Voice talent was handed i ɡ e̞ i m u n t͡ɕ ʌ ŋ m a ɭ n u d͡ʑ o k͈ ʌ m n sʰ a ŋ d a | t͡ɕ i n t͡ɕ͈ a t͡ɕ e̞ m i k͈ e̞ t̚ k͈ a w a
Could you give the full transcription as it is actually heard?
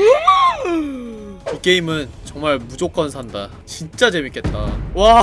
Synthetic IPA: i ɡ e̞ i m ɯ n t͡ɕ ʌ ŋ m a ɭ m u d͡ʑ o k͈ ʌ n sʰ a n d a | t͡ɕ i n t͡ɕ͈ a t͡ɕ e̞ m i k͈ e̞ t̚ t͈ a w a